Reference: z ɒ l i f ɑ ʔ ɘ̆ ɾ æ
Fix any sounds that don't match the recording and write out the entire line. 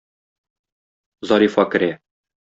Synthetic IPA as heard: z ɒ ɾ i f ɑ k ɘ̆ ɾ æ